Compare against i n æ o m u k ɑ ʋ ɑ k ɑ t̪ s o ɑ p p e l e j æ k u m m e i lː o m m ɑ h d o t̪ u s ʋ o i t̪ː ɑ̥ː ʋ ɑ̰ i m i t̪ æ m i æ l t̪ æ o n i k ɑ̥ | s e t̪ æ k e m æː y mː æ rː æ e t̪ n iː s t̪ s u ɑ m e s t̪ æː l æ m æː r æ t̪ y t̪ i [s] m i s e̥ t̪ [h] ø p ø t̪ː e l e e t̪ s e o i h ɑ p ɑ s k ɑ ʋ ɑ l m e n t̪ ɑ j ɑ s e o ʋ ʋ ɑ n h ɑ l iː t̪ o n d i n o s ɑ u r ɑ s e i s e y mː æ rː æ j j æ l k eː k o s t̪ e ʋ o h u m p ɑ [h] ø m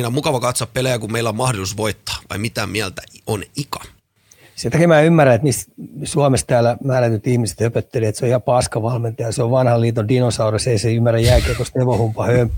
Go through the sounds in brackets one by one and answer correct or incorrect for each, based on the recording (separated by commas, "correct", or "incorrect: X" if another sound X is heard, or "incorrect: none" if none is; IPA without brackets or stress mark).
incorrect: h, correct, correct